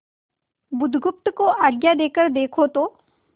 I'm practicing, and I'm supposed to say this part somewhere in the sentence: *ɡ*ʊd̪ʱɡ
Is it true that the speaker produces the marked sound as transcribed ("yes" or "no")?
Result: no